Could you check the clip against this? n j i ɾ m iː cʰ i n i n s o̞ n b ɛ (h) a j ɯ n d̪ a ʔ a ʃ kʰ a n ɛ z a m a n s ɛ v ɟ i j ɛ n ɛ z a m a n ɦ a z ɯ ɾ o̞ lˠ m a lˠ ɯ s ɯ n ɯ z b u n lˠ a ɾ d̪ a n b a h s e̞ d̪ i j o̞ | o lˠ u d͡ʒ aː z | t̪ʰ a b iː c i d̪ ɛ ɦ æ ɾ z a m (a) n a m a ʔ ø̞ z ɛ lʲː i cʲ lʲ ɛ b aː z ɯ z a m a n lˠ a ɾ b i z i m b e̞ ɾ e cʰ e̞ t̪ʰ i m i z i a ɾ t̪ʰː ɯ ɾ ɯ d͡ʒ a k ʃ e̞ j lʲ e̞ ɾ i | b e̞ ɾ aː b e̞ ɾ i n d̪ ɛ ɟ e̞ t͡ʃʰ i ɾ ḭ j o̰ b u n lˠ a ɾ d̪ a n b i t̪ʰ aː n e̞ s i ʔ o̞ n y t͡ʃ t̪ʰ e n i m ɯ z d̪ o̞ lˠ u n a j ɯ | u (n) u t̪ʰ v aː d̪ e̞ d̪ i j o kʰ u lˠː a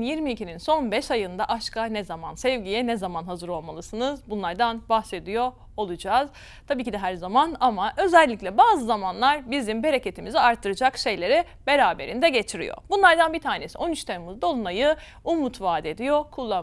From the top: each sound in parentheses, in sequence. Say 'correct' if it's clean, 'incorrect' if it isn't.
incorrect, correct, incorrect

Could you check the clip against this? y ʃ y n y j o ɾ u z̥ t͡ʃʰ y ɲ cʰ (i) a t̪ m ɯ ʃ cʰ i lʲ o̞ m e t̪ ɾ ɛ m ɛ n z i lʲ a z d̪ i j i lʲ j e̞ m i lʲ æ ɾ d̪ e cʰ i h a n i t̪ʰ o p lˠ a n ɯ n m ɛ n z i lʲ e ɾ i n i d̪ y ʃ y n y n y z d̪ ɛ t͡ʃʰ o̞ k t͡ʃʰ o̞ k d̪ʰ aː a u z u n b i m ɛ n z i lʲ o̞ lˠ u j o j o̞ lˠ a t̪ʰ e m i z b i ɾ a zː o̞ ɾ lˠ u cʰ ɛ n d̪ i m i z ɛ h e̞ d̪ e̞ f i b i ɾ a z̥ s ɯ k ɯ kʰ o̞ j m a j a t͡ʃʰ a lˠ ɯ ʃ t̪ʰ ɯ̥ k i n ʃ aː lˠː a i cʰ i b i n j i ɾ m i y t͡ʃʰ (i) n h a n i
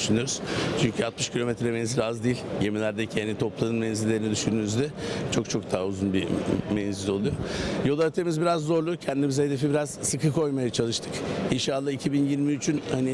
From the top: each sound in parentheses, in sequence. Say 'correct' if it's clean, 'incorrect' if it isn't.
incorrect, incorrect

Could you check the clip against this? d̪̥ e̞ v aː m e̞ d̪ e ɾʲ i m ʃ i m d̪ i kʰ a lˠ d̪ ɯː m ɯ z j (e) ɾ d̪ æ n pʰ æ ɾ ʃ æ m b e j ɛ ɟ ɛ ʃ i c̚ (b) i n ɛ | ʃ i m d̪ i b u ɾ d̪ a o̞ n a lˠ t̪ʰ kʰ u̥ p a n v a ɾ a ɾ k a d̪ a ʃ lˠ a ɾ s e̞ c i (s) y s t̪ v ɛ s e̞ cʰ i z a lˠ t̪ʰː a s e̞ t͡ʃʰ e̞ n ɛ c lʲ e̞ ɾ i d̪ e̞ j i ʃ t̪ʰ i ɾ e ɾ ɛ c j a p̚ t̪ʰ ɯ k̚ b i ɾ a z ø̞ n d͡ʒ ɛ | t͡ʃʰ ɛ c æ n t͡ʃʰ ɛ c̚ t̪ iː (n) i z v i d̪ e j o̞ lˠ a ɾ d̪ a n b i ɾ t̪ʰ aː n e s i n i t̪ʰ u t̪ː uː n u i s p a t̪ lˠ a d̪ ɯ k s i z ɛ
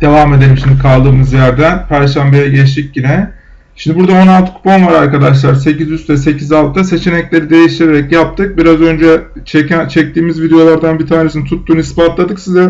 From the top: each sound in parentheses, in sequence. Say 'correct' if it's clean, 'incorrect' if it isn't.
incorrect, incorrect, incorrect, incorrect

